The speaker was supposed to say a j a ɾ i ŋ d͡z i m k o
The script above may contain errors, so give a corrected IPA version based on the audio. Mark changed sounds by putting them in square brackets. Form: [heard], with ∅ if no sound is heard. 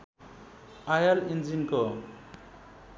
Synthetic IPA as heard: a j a [l] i [n] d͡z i [n] k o